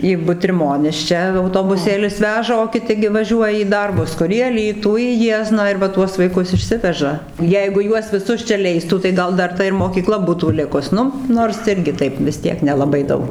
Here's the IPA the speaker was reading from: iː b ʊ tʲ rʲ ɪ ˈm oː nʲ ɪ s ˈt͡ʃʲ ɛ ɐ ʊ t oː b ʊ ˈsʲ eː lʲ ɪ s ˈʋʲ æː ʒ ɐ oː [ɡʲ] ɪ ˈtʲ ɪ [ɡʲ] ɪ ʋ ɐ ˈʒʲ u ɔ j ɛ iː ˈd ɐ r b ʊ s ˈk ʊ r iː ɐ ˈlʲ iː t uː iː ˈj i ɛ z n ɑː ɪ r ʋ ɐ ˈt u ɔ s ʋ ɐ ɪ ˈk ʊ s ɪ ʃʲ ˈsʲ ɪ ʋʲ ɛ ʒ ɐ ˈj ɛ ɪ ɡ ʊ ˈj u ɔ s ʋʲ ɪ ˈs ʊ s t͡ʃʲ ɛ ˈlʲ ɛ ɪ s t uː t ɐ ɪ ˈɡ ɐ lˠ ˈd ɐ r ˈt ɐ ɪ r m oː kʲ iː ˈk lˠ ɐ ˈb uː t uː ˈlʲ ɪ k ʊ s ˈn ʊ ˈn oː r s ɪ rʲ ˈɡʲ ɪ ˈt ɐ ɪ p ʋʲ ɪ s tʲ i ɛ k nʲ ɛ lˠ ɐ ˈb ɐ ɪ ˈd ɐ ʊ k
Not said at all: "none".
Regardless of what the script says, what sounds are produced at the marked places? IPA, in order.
kʲ, ɡʲ

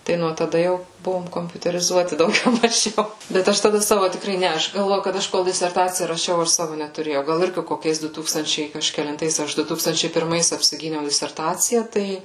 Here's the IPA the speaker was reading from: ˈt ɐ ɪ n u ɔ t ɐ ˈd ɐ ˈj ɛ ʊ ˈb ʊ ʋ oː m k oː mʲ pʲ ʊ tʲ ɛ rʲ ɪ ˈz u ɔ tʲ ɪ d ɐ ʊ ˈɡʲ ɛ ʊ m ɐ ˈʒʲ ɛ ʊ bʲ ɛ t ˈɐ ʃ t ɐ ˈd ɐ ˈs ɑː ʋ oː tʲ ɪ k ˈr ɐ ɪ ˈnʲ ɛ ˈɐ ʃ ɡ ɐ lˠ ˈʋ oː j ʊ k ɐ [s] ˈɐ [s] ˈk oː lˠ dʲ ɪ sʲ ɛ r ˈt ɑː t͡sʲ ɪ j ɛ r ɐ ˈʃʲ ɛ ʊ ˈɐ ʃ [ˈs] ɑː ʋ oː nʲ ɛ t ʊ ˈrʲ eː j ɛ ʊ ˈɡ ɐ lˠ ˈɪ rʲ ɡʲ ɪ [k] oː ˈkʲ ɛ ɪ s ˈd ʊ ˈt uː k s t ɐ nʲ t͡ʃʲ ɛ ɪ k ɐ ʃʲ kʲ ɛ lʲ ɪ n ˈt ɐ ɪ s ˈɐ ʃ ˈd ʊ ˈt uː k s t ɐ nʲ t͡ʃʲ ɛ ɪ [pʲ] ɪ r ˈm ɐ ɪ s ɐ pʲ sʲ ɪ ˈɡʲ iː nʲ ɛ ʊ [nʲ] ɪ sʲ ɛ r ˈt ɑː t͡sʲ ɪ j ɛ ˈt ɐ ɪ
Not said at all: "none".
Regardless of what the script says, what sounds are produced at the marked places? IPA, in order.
t, ʃ, s, k, pʲ, dʲ

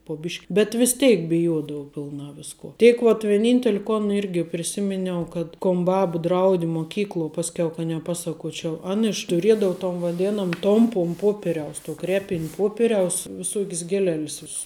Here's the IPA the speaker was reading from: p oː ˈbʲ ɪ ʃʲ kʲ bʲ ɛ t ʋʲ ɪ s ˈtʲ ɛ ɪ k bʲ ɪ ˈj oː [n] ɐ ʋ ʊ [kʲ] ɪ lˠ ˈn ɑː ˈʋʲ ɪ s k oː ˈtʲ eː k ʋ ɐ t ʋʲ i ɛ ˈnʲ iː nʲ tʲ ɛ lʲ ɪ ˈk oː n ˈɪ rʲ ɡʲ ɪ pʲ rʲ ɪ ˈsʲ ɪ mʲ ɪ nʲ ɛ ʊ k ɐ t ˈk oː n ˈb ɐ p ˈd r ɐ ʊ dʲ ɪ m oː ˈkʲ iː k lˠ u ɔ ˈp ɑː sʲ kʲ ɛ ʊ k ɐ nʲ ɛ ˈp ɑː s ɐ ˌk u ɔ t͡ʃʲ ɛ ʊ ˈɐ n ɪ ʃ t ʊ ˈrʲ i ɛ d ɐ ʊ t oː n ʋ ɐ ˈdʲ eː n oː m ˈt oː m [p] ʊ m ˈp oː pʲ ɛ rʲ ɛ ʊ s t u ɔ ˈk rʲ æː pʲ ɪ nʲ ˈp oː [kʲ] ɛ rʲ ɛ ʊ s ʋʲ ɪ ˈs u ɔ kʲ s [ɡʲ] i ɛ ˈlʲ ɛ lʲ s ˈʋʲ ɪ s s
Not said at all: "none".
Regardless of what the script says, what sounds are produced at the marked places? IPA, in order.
d, pʲ, p, pʲ, ɡʲ

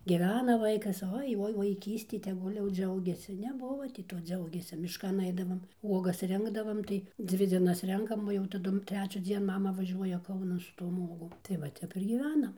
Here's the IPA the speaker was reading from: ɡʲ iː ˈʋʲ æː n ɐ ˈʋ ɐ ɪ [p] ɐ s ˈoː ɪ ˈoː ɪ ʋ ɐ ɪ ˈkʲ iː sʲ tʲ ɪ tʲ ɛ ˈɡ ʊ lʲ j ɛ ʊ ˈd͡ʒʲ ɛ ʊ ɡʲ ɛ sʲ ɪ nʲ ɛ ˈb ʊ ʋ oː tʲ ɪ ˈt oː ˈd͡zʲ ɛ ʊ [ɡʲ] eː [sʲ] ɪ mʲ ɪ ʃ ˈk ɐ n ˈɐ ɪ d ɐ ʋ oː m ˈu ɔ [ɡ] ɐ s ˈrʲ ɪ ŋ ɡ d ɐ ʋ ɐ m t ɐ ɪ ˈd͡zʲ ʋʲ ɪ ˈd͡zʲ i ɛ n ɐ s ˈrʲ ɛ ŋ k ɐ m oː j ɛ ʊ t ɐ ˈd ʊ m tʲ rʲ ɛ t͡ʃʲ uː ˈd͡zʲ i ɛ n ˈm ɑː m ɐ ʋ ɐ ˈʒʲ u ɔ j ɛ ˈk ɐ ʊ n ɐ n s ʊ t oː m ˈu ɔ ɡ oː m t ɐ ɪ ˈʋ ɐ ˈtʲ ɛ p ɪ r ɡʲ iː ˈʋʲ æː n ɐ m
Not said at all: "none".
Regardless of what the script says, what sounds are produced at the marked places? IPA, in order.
k, ɡʲ, sʲ, ɡ

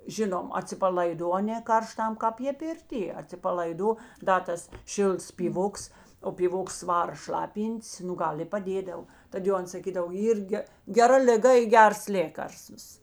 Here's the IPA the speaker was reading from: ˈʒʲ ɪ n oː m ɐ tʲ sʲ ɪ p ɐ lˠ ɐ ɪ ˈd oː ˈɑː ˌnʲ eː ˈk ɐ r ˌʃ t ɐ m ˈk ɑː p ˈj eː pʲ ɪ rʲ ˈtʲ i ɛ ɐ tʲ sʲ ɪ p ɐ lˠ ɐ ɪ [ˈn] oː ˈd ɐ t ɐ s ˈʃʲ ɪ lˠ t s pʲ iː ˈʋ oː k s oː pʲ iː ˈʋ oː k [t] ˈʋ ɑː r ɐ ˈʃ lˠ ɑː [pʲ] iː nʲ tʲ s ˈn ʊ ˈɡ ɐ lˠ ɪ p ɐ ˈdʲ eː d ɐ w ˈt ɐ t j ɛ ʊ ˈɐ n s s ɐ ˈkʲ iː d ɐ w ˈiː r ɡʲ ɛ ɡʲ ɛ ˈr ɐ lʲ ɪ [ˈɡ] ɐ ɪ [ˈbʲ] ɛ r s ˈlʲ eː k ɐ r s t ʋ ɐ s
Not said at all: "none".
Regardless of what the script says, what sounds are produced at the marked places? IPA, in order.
d, s, pʲ, ɡ, ɡʲ

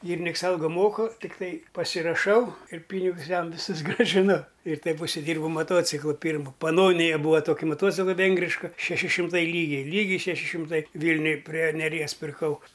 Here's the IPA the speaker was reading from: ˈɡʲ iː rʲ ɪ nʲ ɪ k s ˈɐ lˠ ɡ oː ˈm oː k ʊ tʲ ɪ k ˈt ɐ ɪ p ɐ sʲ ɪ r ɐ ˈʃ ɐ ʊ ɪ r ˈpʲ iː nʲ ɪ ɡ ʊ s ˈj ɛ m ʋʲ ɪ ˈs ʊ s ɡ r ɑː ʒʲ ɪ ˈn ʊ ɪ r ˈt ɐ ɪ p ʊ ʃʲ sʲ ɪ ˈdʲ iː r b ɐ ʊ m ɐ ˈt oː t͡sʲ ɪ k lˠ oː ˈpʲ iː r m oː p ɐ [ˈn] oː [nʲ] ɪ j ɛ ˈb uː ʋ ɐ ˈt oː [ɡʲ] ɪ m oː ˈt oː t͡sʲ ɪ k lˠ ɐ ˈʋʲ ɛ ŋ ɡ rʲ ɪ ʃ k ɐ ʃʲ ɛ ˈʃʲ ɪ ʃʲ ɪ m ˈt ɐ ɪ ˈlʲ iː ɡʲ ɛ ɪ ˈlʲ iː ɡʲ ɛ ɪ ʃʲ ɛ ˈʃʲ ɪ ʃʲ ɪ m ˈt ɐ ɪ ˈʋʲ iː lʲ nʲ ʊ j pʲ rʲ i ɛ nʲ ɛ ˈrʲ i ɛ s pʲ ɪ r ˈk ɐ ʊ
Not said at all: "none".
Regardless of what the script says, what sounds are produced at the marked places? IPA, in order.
n, nʲ, kʲ

